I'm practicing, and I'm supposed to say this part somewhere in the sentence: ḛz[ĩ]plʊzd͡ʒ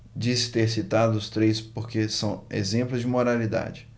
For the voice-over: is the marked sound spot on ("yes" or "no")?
no